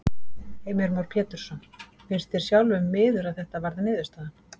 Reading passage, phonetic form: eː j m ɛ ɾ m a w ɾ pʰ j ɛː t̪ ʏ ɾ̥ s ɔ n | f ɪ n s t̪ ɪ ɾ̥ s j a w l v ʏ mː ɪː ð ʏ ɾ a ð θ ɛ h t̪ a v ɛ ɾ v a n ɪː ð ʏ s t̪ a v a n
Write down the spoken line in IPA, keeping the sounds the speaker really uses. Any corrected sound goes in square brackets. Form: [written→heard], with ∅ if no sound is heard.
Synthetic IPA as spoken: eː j m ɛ ɾ m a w ɾ pʰ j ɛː t̪ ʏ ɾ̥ s ɔ n | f ɪ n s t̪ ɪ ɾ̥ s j a w l v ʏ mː ɪː ð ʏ ɾ a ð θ ɛ h t̪ a v [ɛ→a] ɾ [v→ð] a n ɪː ð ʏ s t̪ a [v→ð] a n